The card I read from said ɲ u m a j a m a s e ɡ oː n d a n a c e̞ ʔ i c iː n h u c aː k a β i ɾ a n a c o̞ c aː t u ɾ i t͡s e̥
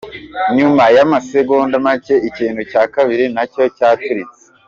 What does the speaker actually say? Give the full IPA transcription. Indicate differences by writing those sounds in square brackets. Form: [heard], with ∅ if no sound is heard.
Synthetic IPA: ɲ u m a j a m a s e ɡ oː n d a [m] a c e̞ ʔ i c iː n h u c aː k a β i ɾ [i] n a c o̞ c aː t u ɾ i t͡s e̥